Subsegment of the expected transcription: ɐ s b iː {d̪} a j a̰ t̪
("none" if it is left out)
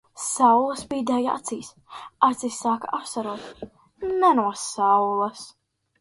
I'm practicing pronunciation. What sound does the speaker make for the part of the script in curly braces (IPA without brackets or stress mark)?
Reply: d̪